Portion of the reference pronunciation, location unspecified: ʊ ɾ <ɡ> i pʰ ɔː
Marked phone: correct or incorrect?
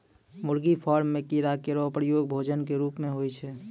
correct